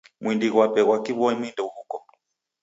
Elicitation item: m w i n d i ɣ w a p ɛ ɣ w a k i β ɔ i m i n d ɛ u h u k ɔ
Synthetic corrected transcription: m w i n d i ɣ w a p ɛ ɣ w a k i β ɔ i m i n d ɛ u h u k ɔ